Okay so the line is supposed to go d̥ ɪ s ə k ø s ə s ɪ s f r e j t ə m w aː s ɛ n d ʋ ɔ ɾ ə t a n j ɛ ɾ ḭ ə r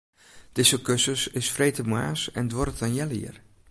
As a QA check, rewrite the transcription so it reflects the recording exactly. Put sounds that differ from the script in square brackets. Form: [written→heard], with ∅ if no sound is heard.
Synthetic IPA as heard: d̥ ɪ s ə k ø s ə s ɪ s f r e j t ə m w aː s ɛ n d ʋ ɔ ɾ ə t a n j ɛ [ɾ→l] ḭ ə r

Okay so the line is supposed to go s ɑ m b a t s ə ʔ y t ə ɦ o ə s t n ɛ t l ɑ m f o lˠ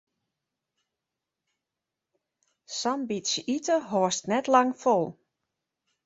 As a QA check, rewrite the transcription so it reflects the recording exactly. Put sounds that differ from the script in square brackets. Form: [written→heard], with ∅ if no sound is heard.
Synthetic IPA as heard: s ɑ m b [a→i] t s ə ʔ [y→i] t ə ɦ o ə s t n ɛ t l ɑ [m→ŋ] f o lˠ

